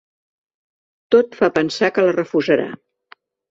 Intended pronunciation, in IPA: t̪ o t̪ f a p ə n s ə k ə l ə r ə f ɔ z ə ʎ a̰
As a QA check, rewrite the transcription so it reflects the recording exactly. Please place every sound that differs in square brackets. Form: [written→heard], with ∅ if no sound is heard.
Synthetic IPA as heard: t̪ o t̪ f a p ə n s [ə→a] k ə l ə r ə f [ɔ→u] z ə [ʎ→ɾ] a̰

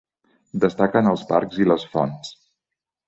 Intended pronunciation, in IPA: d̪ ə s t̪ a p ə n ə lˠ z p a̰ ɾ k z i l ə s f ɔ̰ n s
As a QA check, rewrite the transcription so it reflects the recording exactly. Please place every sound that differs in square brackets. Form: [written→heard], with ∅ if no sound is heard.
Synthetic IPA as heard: d̪ ə s t̪ a [p→k] ə n ə lˠ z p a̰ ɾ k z i l ə s f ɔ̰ n s

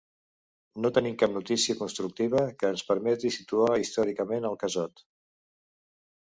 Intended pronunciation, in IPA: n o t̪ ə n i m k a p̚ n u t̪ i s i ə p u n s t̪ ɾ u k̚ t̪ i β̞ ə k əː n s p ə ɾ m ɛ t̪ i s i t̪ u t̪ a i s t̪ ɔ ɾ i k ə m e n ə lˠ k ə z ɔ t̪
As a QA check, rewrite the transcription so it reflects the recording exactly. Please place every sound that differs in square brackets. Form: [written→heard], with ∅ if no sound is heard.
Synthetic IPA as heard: n o t̪ ə n i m k a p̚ n u t̪ i s i ə [p→k] u n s t̪ ɾ u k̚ t̪ i β̞ ə k əː n s p ə ɾ m ɛ t̪ i s i t̪ u [t̪→∅] a i s t̪ ɔ ɾ i k ə m e n ə lˠ k ə z ɔ t̪

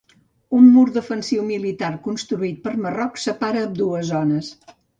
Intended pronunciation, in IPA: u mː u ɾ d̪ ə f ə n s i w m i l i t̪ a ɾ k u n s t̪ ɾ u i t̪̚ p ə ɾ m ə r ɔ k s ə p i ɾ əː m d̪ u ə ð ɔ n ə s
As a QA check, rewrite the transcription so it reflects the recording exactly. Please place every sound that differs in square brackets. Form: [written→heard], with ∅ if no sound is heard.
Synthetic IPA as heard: u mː u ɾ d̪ ə f ə n s i w m i l i t̪ a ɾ k u n s t̪ ɾ u i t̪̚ p ə ɾ m ə r ɔ k s ə p [i→a] ɾ əː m d̪ u ə [ð→z] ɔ n ə s

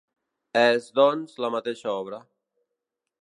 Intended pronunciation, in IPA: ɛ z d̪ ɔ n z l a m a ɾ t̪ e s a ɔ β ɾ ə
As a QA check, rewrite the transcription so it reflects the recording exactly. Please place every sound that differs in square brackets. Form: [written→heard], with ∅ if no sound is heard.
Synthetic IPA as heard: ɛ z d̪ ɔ n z l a m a [ɾ→∅] t̪ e [s→ʃ] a ɔ β ɾ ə

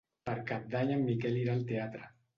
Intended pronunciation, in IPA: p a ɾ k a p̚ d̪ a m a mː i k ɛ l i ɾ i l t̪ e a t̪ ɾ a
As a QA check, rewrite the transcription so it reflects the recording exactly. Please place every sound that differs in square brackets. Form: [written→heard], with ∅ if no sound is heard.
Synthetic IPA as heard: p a ɾ k a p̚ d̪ a [m→ɲ] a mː i k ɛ l i ɾ [i→a] l t̪ e a t̪ ɾ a

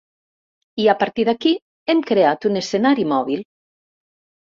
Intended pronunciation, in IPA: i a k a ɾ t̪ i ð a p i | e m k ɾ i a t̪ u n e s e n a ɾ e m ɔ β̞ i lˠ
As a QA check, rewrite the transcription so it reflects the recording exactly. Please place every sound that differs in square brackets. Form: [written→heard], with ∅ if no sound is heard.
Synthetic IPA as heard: i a [k→p] a ɾ t̪ i ð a [p→k] i | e m k ɾ [i→e] a t̪ u n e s e n a ɾ [e→i] m ɔ β̞ i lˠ

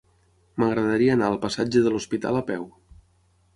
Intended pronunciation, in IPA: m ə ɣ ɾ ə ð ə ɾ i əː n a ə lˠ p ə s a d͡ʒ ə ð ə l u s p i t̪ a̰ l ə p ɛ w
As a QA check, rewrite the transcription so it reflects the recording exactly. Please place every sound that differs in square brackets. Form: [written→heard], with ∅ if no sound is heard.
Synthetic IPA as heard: m ə ɣ ɾ ə ð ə ɾ i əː n a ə lˠ p ə s a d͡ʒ ə ð ə l u s p i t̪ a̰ l ə p ɛ w

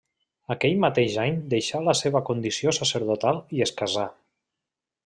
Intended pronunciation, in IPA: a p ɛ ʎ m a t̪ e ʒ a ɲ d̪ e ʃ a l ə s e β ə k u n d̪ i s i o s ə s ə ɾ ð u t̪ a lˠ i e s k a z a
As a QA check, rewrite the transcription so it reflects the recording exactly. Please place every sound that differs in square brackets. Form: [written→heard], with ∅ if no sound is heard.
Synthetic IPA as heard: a [p→k] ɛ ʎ m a t̪ e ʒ a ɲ d̪ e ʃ a l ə s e β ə k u n d̪ i s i o s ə s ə ɾ ð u t̪ a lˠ i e s k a z a

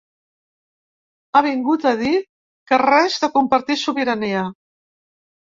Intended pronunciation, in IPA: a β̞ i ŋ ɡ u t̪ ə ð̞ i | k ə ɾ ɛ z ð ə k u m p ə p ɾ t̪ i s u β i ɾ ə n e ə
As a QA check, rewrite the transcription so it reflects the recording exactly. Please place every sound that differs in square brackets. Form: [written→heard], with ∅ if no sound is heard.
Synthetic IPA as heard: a β̞ i ŋ ɡ u t̪ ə ð̞ i | k ə [ɾ→r] ɛ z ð ə k u m p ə [p→∅] ɾ t̪ i s u β i ɾ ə n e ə

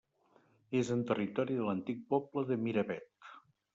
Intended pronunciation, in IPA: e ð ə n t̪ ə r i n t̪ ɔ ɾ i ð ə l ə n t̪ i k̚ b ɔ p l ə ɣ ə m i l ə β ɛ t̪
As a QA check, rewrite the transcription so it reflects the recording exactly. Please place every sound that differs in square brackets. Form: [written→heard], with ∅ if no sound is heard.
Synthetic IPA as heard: e [ð→z] ə n t̪ ə r i [n→∅] t̪ ɔ ɾ i ð ə l ə n t̪ i k̚ [b→p] ɔ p l ə [ɣ→ð] ə m i [l→ɾ] ə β ɛ t̪

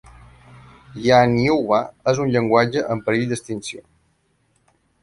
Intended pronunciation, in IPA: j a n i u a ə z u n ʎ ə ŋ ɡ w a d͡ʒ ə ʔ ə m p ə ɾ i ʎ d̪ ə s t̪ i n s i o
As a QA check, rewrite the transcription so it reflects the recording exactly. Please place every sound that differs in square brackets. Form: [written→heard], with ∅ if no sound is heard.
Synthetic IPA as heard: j a n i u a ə z u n ʎ ə ŋ ɡ w a d͡ʒ ə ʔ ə m p ə ɾ i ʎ d̪ ə s t̪ i n s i o

